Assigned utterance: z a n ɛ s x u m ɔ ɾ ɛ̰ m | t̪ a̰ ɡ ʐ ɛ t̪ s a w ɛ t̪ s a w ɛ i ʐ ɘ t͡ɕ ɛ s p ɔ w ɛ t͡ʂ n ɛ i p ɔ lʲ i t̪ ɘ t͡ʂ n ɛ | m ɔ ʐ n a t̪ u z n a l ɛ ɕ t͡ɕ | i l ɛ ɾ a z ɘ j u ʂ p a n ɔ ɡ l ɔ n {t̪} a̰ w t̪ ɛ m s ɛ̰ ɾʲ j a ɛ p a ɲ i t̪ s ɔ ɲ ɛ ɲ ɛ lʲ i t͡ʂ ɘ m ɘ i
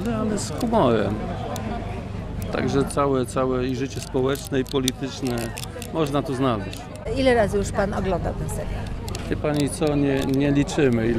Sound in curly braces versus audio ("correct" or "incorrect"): incorrect